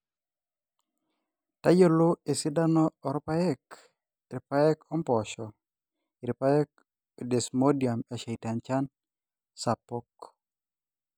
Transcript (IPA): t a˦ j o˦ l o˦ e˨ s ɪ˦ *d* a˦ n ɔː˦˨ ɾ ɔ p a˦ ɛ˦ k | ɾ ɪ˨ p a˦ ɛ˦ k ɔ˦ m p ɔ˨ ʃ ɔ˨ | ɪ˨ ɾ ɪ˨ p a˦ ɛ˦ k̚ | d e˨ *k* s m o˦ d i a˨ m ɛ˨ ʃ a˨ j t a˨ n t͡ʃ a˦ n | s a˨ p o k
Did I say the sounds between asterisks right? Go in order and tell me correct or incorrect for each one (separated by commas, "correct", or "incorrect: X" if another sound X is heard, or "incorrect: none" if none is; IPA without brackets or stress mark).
correct, incorrect: none